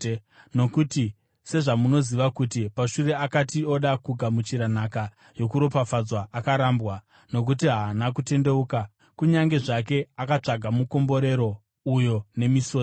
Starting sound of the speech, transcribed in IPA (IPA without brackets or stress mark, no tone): n